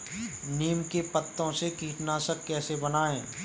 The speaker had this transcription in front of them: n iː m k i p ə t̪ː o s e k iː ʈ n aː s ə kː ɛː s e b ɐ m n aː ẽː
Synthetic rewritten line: n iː m k e p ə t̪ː õ s e k iː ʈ n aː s ə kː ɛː s e b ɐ n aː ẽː